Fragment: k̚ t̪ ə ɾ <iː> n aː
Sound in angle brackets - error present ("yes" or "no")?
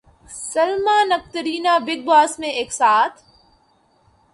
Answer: no